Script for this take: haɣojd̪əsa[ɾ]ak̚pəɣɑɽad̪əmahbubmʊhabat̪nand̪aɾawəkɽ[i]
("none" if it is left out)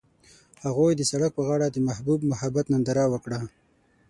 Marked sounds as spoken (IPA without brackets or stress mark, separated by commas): ɽ, a